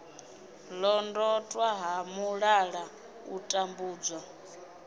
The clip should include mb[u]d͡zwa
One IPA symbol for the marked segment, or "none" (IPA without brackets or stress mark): uː